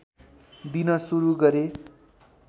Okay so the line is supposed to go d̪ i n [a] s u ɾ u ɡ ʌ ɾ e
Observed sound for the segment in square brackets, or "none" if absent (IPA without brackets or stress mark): ʌ